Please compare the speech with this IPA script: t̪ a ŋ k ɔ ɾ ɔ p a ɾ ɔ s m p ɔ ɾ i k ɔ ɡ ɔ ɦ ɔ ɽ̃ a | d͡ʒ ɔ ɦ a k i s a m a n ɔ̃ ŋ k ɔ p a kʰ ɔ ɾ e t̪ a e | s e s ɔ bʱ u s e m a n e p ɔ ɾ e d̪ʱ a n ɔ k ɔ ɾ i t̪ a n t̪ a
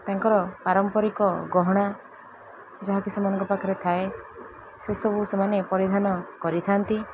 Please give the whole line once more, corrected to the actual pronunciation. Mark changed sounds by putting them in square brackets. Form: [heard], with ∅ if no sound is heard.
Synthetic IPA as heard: t̪ a ŋ k ɔ ɾ ɔ p a ɾ ɔ [∅] m p ɔ ɾ i k ɔ ɡ ɔ ɦ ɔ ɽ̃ a | d͡ʒ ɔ ɦ a k i s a m a n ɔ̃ ŋ k ɔ p a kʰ ɔ ɾ e [t̪ʰ] a e | s e s ɔ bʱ u s e m a n e p ɔ ɾ [i] d̪ʱ a n ɔ k ɔ ɾ i [t̪ʰ] a n t̪ [i]

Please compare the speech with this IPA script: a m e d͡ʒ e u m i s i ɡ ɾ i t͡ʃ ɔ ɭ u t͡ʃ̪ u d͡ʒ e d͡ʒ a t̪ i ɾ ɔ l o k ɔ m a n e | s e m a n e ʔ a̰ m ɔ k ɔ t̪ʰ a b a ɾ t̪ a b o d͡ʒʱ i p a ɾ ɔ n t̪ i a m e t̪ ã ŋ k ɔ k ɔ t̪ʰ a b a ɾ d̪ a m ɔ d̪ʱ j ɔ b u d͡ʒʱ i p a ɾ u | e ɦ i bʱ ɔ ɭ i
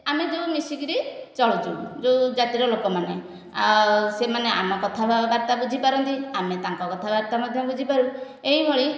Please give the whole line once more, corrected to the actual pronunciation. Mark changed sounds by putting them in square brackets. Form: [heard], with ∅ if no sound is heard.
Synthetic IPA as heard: a m e d͡ʒ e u m i s i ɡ ɾ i t͡ʃ ɔ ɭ u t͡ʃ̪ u d͡ʒ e d͡ʒ a t̪ i ɾ ɔ l o k ɔ m a n e | s e m a n e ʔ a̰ m ɔ k ɔ t̪ʰ a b a ɾ t̪ a b [u] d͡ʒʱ i p a ɾ ɔ n t̪ i a m e t̪ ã ŋ k ɔ k ɔ t̪ʰ a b a ɾ [t̪] a m ɔ d̪ʱ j ɔ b u d͡ʒʱ i p a ɾ u | e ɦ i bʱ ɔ ɭ i

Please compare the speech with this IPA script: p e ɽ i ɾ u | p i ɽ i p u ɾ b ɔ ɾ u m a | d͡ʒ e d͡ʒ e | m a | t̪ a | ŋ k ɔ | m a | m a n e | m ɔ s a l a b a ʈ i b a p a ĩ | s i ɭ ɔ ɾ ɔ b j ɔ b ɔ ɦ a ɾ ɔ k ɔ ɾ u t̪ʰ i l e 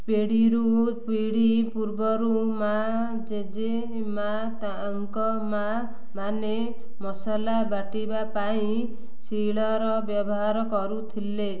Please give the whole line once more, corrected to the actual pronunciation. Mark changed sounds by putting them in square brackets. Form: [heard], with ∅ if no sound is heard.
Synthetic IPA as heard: p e ɽ i ɾ u | p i ɽ i p u ɾ b ɔ ɾ u m a | d͡ʒ e d͡ʒ e | m a | t̪ a | ŋ k ɔ | m a | m a n e | m ɔ s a l a b a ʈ i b a p a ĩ | s i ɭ ɔ ɾ ɔ b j ɔ b ɔ ɦ a ɾ ɔ k ɔ ɾ u t̪ʰ i l e

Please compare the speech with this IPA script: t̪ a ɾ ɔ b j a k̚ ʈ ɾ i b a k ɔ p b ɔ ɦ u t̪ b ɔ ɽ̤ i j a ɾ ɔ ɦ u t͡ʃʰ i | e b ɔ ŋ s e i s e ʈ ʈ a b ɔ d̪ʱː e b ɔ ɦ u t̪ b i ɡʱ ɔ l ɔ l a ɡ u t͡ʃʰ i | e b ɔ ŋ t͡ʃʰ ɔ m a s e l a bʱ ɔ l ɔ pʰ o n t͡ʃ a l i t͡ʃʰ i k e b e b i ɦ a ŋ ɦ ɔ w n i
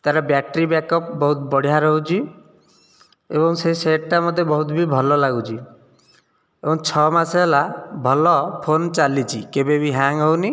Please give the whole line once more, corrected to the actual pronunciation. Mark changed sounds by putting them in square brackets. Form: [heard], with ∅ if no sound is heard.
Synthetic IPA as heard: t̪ a ɾ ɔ b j a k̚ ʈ ɾ i b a k ɔ p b ɔ ɦ u t̪ b ɔ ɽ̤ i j a ɾ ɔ ɦ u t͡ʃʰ i | e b ɔ ŋ s e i s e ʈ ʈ a [m] ɔ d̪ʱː e b ɔ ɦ u t̪ b i [bʱ] ɔ l ɔ l a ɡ u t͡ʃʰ i | e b ɔ ŋ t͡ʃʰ ɔ m a s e l a bʱ ɔ l ɔ pʰ o n t͡ʃ a l i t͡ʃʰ i k e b e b i ɦ a ŋ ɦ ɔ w n i

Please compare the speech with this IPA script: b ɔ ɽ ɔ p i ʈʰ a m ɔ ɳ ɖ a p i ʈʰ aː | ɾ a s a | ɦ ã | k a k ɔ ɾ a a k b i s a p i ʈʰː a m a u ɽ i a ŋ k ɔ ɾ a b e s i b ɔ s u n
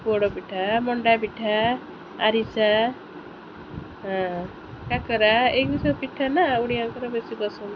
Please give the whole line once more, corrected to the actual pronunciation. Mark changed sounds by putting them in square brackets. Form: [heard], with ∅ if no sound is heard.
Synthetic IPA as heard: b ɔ ɽ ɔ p i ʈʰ a m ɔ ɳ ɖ a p i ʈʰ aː | ɾ [i] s a | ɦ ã | k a k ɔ ɾ a [e] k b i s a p i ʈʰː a [n] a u ɽ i a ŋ k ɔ ɾ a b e s i b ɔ s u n

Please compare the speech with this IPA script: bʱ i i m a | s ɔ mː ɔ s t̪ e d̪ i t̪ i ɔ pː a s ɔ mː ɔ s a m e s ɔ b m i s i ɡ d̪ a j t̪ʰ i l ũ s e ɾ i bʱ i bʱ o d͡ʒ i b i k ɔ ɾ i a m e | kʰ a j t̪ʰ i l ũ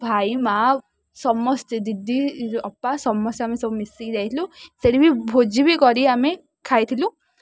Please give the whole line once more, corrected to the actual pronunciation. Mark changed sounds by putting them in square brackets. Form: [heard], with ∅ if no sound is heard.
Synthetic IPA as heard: bʱ [a] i m a | s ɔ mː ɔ s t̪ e d̪ i [d̪] i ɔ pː a s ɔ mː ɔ s a m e s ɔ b m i s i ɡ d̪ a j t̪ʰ i l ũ s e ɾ i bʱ i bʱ o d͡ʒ i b i k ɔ ɾ i a m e | kʰ a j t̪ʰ i l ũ

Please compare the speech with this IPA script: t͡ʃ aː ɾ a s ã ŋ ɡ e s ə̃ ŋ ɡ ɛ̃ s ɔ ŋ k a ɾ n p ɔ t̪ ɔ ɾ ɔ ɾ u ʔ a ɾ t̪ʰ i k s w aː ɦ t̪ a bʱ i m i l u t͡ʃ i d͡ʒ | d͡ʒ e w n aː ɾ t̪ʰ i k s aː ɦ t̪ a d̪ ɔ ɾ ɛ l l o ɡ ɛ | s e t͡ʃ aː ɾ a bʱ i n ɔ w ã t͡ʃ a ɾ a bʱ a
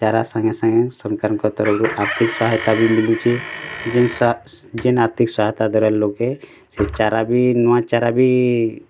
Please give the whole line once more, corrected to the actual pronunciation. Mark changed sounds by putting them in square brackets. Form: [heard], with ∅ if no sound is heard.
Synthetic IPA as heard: t͡ʃ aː ɾ a s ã ŋ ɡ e s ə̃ ŋ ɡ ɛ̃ s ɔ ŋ k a ɾ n [k] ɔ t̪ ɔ ɾ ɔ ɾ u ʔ a ɾ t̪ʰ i k s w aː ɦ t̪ a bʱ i m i l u t͡ʃ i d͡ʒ | d͡ʒ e [∅] n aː ɾ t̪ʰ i k s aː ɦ t̪ a d̪ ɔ ɾ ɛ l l o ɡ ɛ | s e t͡ʃ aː ɾ a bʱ i n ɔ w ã t͡ʃ a ɾ a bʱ [i]

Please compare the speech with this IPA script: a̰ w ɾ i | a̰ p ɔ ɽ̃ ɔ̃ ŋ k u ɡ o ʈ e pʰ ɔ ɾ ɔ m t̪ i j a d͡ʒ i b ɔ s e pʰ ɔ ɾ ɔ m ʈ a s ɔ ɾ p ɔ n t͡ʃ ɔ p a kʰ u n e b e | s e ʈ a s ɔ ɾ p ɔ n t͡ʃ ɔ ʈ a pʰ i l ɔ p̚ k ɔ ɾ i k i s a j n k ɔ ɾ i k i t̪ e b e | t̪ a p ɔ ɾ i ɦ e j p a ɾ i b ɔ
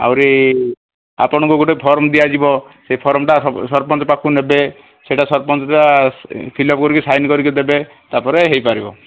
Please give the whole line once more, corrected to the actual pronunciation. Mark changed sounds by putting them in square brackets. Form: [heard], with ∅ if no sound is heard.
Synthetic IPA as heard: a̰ w ɾ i | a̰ p ɔ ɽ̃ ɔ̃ ŋ k u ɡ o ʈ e pʰ ɔ ɾ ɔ m [d̪] i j a d͡ʒ i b ɔ s e pʰ ɔ ɾ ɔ m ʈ a s ɔ ɾ p ɔ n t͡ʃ ɔ p a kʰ u n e b e | s e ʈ a s ɔ ɾ p ɔ n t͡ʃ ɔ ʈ a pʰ i l ɔ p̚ k ɔ ɾ i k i s a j n k ɔ ɾ i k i [d̪] e b e | t̪ a p ɔ ɾ [e] ɦ e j p a ɾ i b ɔ

